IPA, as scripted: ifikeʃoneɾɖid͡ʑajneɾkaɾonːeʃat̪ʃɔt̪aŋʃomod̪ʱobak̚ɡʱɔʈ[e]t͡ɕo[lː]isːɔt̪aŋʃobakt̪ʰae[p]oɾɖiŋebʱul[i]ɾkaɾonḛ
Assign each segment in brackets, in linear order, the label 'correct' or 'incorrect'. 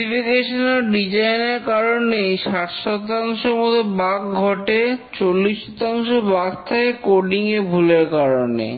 correct, correct, incorrect: k, incorrect: e

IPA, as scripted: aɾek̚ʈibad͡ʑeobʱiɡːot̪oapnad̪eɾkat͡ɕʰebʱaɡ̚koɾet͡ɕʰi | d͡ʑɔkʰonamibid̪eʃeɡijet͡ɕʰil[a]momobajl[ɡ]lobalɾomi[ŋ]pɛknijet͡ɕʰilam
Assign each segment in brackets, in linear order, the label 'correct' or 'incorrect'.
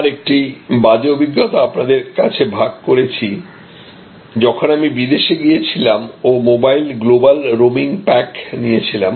correct, correct, correct

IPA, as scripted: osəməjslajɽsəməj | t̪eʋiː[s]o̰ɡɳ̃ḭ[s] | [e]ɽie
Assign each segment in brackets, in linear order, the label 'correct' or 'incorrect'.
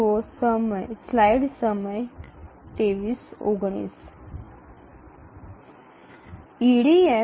correct, correct, incorrect: i

